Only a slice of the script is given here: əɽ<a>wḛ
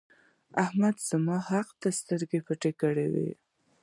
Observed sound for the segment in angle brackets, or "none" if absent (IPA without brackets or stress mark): e